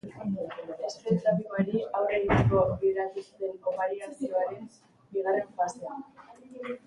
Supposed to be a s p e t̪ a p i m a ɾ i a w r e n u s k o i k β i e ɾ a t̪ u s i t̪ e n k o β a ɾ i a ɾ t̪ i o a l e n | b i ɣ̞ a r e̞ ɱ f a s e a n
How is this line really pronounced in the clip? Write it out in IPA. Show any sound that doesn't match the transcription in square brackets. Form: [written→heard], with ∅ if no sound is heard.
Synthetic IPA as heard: [a→e] s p e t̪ a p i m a ɾ i a w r e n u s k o [i→a] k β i e ɾ a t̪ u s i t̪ e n k o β a ɾ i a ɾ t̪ i o a [l→ɾ] e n | b i ɣ̞ a r e̞ ɱ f a s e a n